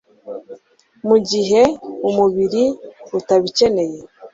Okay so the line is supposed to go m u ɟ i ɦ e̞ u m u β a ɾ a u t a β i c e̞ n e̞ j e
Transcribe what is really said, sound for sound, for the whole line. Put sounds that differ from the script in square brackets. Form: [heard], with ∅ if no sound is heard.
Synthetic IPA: m u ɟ i ɦ e̞ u m u β [i] ɾ [i] u t a β i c e̞ n e̞ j e

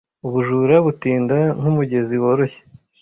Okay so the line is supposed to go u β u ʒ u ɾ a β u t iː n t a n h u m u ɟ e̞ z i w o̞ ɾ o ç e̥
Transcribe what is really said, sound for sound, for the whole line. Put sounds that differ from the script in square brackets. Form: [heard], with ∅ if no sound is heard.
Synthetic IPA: u β u ʒ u ɾ a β u t iː n [d] a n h u m u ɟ e̞ z i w o̞ ɾ o ç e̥

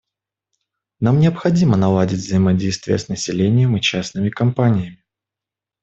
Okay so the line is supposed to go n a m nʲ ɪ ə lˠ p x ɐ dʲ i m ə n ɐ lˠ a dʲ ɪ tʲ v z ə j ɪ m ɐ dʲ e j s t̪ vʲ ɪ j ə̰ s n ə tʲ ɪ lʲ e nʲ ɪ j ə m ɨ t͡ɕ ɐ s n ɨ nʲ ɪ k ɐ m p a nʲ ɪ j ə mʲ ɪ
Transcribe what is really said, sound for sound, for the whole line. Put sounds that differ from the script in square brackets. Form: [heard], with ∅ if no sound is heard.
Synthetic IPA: n a m nʲ ɪ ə [∅] p x ɐ dʲ i m ə n ɐ lˠ a dʲ ɪ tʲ v z ə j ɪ m ɐ dʲ e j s t̪ vʲ ɪ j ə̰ s n ə [sʲ] ɪ lʲ e nʲ ɪ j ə m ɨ t͡ɕ [a] s n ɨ [mʲ] ɪ k ɐ m p a nʲ ɪ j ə mʲ ɪ

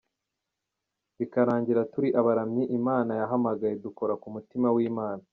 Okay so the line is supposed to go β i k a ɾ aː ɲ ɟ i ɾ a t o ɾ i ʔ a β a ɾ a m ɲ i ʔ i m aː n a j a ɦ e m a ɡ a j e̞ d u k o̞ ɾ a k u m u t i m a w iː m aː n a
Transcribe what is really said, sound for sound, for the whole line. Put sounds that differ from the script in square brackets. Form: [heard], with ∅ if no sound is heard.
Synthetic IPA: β i k a ɾ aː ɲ ɟ i ɾ a t [u] ɾ i ʔ a β a ɾ a m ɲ i ʔ i m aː n a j a ɦ [a] m a ɡ a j e̞ d u k o̞ ɾ a k u m u t i m a w iː m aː n a

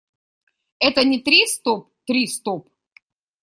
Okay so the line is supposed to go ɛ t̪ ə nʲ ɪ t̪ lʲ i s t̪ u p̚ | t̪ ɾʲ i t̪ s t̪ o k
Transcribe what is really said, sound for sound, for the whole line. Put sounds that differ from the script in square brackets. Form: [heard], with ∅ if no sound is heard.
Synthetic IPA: ɛ t̪ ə nʲ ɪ t̪ [ɾʲ] i s t̪ [o] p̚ | t̪ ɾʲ i [∅] s t̪ o [p]

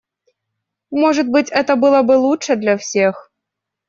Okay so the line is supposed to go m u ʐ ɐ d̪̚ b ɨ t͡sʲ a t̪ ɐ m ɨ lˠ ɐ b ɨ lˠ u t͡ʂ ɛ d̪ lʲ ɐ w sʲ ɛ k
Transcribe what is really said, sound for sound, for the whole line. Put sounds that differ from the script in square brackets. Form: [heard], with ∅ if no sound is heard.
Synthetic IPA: m [ɔ] ʐ ɐ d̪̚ b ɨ t͡sʲ [ɛ] t̪ ɐ [b] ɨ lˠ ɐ b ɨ lˠ u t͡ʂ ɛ d̪ lʲ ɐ w sʲ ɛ [x]

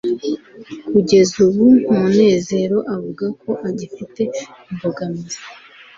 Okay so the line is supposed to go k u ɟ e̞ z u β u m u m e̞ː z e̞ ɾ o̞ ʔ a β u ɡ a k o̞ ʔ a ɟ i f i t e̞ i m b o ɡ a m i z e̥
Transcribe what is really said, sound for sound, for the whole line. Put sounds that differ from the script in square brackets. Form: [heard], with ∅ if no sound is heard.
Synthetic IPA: k u ɟ e̞ z u β u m u [n] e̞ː z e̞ ɾ o̞ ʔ a [v] u ɡ a k o̞ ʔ a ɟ i f i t e̞ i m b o ɡ a m i z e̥

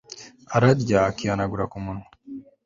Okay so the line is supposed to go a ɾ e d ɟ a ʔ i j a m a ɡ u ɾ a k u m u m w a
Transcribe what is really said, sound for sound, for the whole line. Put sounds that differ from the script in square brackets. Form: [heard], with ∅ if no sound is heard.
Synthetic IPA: a ɾ [a] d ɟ a [k] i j a [n] a ɡ u ɾ a k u m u [n] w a

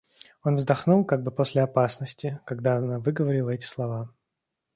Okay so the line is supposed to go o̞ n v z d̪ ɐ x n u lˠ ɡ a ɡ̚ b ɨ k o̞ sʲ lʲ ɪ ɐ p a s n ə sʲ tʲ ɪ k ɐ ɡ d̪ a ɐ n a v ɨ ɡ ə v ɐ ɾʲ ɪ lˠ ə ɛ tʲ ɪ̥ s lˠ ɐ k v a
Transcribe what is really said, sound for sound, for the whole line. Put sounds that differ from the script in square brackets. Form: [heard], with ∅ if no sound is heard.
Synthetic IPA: o̞ n v z d̪ ɐ x n u lˠ [k] a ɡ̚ b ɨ [p] o̞ sʲ lʲ ɪ ɐ p a s n ə sʲ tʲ ɪ k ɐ ɡ d̪ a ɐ n a v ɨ ɡ ə v ɐ ɾʲ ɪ lˠ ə ɛ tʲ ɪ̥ s lˠ ɐ [∅] v a

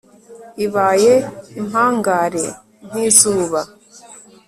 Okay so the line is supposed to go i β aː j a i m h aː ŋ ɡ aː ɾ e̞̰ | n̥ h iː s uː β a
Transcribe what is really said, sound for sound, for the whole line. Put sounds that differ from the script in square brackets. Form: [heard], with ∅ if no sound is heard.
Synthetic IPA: i β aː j [e] i m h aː ŋ ɡ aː ɾ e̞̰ | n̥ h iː [z] uː β a

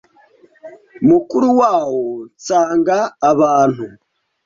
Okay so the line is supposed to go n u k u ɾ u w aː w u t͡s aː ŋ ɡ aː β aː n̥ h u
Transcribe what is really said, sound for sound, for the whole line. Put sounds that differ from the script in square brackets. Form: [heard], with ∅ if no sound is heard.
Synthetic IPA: [m] u k u ɾ u w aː w [o] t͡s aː ŋ ɡ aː β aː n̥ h u

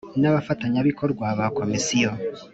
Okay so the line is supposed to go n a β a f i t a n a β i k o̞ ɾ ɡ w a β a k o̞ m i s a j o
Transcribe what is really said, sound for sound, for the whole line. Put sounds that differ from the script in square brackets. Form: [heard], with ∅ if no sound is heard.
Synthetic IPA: n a β a f [a] t a [ɲ] a β i k o̞ ɾ ɡ w a β a k o̞ m i s [i] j o

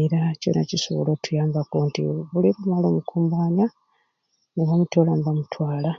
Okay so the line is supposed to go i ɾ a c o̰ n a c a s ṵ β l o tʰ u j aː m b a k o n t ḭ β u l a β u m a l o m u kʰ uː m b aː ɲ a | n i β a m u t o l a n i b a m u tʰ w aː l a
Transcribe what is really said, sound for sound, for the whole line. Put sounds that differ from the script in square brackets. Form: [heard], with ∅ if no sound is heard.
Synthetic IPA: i ɾ a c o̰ n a c [i] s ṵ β l o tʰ u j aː m b a k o n t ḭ β u l [i] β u m a l o m u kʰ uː m b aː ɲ a | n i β a m u t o l a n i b a m u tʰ w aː l a

